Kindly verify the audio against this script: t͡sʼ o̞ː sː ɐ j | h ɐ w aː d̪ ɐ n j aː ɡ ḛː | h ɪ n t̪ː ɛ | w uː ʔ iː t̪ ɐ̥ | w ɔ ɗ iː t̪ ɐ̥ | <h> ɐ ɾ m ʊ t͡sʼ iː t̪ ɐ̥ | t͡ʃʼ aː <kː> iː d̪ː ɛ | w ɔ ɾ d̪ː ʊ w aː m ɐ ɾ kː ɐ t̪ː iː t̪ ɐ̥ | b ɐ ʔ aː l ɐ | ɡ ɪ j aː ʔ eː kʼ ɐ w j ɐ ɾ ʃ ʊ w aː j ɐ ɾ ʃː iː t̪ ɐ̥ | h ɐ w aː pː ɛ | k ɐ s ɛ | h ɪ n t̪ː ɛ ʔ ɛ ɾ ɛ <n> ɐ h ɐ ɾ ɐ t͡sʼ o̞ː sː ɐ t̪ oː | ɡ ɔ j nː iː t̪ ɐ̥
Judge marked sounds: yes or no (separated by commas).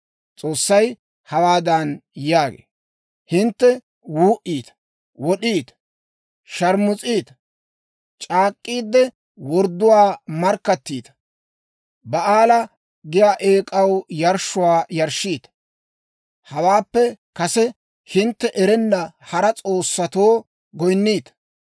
no, no, no